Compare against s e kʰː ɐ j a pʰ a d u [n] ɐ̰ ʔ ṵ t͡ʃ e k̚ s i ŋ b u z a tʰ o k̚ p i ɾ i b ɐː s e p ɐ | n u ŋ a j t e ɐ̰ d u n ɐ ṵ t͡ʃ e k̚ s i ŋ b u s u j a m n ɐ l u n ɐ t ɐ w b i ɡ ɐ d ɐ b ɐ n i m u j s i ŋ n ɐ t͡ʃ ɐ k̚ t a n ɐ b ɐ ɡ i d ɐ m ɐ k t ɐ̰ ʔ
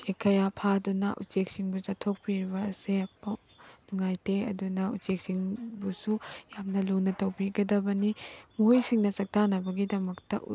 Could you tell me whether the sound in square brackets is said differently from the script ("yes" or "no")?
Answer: no